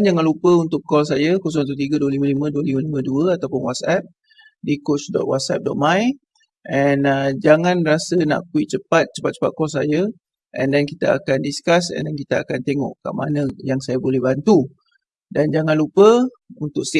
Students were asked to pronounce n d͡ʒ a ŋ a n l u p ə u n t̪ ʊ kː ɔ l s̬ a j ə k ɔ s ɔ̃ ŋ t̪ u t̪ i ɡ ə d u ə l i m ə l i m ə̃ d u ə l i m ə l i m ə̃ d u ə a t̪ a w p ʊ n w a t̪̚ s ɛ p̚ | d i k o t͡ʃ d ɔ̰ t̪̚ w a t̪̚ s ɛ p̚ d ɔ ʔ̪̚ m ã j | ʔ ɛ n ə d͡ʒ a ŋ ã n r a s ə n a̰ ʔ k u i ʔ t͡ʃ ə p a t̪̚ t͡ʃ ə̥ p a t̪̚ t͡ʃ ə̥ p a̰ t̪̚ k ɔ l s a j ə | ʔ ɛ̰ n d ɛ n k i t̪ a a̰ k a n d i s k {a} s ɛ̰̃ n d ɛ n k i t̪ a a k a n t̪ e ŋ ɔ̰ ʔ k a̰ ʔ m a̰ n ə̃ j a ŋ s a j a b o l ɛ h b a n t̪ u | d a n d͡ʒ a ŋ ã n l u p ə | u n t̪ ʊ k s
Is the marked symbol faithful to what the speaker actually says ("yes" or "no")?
yes